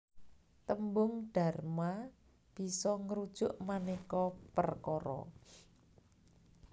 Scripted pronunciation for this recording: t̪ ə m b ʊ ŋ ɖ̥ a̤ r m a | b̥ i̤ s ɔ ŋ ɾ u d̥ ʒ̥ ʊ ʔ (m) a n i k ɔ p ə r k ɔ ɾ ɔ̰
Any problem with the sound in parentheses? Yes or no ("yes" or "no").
no